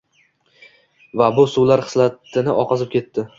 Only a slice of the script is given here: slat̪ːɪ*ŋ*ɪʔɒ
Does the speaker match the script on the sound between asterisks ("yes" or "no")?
no